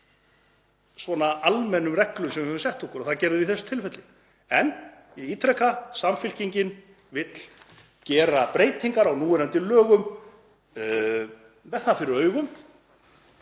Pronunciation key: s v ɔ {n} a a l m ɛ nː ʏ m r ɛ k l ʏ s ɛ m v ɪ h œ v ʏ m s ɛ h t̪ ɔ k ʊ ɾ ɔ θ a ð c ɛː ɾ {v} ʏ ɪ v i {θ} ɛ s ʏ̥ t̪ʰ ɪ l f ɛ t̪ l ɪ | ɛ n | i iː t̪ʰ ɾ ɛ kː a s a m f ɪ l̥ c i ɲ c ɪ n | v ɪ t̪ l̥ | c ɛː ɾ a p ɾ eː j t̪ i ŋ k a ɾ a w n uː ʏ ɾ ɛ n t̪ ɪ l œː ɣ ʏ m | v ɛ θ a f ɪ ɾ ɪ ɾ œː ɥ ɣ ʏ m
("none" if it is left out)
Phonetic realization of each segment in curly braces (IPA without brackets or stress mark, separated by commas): n, ð, θ